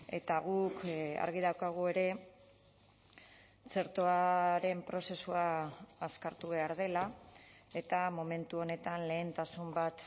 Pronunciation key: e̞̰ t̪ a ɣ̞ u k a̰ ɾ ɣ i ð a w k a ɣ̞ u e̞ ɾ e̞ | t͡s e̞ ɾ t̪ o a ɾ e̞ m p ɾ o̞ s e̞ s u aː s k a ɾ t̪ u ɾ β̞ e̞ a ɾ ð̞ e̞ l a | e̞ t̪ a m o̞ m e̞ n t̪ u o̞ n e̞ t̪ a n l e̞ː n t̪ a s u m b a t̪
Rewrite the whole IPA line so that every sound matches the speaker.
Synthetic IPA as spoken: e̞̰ t̪ a ɣ̞ u k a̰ ɾ ɣ i ð a w k a ɣ̞ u e̞ ɾ e̞ | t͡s e̞ ɾ t̪ o a ɾ e̞ m p ɾ o̞ s e̞ s u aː s k a ɾ t̪ u β̞ e̞ a ɾ ð̞ e̞ l a | e̞ t̪ a m o̞ m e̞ n t̪ u o̞ n e̞ t̪ a n l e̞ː n t̪ a s u m b a t̪